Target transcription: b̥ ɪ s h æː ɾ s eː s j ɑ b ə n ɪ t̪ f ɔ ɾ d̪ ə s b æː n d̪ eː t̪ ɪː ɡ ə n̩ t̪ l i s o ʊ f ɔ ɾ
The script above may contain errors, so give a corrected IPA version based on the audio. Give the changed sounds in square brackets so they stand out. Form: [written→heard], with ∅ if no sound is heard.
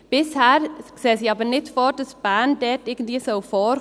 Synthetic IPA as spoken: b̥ ɪ s h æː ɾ s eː s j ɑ b ə n ɪ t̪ f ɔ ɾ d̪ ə s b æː n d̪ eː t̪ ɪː ɡ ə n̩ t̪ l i s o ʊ f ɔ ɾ